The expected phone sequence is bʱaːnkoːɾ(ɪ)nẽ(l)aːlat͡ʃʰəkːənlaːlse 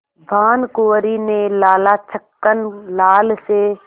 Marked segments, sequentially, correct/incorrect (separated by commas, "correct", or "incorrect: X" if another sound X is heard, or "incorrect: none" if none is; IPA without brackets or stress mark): incorrect: i, correct